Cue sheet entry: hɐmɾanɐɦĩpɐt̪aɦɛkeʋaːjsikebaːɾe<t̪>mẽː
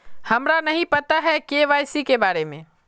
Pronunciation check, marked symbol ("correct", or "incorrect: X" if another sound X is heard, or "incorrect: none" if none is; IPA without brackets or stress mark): incorrect: none